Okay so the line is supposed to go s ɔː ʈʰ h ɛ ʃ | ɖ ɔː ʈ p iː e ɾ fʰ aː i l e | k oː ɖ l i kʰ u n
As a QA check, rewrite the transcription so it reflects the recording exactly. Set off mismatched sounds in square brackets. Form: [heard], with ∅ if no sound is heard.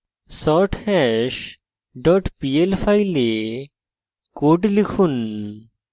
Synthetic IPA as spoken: s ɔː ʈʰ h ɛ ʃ | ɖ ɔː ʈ p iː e [l] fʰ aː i l e | k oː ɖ l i kʰ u n